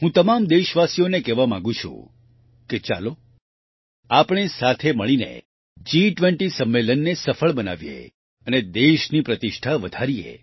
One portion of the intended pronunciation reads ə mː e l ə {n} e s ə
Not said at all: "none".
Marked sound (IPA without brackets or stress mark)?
nː